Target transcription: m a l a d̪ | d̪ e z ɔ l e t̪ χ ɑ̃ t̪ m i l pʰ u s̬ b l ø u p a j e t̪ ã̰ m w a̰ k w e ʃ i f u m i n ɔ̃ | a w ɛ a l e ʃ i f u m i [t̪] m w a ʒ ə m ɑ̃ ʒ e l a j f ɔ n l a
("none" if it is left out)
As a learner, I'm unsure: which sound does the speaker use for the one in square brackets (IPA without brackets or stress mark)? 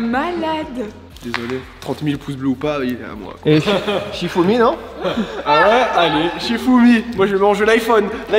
none